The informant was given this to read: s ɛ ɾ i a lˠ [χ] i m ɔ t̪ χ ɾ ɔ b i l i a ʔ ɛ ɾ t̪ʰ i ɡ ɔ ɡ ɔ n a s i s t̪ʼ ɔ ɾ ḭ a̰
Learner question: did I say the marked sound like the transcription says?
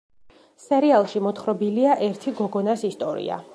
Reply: no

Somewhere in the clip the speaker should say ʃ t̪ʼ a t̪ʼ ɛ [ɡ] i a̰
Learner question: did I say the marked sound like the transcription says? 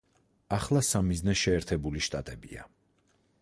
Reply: no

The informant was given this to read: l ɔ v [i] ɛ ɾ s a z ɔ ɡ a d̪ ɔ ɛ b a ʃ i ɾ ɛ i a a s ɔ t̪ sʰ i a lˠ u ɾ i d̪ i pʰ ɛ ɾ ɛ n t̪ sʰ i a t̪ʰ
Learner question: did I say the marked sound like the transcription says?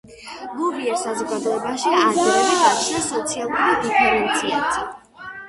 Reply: yes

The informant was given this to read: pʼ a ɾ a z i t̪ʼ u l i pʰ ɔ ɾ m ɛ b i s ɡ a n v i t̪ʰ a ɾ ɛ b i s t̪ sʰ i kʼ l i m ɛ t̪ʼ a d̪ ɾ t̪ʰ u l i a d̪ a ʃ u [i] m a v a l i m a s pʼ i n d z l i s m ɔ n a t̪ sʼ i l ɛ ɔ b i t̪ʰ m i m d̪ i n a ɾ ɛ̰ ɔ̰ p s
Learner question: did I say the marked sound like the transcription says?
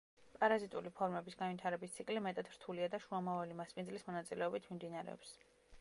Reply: no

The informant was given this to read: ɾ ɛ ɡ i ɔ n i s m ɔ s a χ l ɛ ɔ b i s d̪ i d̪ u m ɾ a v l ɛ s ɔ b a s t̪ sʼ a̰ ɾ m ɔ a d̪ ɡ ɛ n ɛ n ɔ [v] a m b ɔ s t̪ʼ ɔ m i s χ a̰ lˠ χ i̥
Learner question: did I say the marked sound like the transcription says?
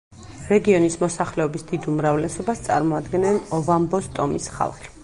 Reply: yes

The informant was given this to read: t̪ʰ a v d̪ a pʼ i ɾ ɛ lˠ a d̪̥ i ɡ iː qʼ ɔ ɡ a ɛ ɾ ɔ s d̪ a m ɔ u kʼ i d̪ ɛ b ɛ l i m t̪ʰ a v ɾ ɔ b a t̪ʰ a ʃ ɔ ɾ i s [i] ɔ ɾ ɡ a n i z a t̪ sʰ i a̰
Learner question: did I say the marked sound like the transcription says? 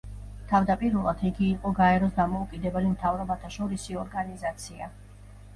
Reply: yes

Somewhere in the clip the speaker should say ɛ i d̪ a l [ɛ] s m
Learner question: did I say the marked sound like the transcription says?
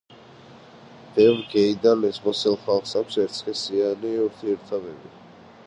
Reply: yes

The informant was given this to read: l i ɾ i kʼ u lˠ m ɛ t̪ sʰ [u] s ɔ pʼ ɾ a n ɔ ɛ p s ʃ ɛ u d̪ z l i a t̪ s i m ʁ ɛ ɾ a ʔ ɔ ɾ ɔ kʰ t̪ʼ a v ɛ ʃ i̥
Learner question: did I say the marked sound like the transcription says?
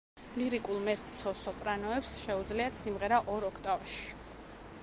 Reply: no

